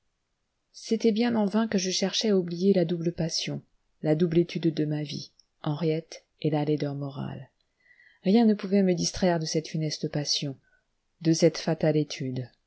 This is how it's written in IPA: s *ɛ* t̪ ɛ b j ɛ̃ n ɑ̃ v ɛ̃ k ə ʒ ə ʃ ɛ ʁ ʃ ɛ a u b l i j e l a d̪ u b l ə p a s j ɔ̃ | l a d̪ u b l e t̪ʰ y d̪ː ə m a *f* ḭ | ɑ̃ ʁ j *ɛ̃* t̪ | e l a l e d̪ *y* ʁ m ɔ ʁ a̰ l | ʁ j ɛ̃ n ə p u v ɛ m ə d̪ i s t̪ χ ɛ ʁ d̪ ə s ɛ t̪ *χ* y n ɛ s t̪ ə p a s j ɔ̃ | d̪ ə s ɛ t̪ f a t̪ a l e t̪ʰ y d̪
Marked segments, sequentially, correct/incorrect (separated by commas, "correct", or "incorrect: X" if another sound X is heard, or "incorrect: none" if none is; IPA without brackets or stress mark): incorrect: e, incorrect: v, incorrect: ɛ, incorrect: œ, incorrect: f